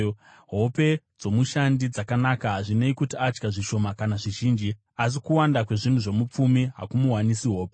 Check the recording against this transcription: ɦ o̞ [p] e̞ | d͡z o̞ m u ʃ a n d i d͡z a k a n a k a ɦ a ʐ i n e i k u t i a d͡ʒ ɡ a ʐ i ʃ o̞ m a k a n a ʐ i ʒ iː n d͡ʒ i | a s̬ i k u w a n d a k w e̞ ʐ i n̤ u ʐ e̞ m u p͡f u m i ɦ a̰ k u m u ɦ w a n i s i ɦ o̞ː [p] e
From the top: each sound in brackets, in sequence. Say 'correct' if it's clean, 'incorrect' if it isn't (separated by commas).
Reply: correct, correct